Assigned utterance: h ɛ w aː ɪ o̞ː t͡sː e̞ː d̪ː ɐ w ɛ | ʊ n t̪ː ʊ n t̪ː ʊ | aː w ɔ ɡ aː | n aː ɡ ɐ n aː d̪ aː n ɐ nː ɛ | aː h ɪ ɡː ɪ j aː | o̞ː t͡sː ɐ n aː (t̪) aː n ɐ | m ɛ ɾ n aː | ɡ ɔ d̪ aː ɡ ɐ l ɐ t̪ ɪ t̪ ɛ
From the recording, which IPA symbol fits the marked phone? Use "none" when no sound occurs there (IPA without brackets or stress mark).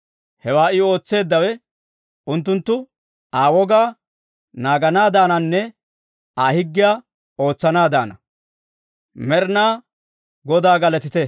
d̪